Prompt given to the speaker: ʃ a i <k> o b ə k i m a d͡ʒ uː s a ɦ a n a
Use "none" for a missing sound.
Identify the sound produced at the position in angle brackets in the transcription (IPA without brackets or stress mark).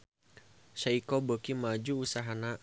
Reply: k